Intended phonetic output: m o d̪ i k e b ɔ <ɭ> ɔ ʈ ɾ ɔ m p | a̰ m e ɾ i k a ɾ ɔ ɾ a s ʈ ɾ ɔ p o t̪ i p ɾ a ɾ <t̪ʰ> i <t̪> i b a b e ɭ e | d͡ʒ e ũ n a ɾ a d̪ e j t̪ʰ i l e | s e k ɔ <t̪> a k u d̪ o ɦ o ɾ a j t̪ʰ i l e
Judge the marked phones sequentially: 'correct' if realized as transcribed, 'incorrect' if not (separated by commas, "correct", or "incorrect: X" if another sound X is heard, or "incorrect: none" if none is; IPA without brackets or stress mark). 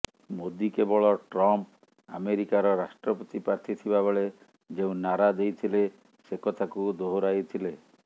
correct, correct, incorrect: t̪ʰ, incorrect: t̪ʰ